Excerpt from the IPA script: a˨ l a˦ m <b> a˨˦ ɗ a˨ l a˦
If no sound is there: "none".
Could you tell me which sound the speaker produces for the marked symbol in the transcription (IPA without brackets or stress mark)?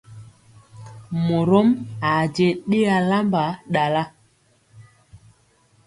b